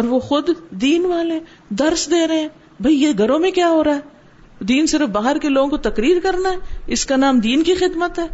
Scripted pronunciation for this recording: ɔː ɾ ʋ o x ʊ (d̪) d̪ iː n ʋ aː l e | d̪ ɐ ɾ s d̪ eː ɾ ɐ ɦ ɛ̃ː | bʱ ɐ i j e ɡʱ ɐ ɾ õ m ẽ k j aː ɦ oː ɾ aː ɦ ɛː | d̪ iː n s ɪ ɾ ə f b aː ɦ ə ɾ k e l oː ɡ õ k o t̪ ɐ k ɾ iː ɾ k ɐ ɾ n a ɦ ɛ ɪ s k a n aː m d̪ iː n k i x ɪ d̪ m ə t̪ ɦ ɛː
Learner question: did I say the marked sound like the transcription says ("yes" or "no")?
yes